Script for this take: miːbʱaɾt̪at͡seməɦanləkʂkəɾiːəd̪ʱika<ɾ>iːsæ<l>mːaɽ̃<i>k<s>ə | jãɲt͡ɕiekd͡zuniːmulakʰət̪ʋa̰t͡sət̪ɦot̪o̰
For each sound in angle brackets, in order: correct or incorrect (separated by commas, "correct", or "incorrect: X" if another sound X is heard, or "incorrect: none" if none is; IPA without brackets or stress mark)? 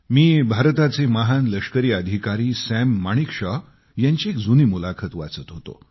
correct, incorrect: none, correct, incorrect: ʂ